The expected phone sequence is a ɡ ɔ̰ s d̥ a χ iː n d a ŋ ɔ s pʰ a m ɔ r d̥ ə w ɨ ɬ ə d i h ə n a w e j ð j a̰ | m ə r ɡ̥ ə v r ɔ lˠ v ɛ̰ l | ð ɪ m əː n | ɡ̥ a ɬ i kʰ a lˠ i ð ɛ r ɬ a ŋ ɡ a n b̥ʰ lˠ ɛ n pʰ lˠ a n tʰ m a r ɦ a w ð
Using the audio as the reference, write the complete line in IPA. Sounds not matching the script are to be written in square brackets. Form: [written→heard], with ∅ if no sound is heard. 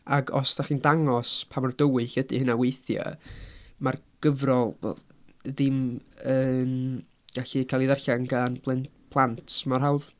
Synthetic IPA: a ɡ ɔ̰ s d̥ a χ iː n d a ŋ ɔ s pʰ a m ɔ r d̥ ə w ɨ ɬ ə d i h ə n a w e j [ð→θ] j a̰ | m [ə→a] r ɡ̥ ə v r ɔ lˠ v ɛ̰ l | ð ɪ m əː n | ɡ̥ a ɬ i kʰ a lˠ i ð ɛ r ɬ a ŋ ɡ a n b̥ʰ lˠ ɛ n pʰ lˠ a n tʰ m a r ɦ a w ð